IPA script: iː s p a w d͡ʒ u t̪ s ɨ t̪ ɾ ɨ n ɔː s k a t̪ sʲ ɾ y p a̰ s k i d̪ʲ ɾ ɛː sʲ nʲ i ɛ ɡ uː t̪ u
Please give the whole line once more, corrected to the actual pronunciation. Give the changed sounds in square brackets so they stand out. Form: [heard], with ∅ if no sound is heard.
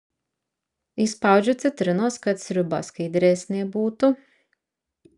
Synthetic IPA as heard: [i] s p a w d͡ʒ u t̪ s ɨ t̪ ɾ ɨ n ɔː s k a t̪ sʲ ɾ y [b] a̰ s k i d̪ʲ ɾ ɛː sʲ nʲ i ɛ [b] uː t̪ u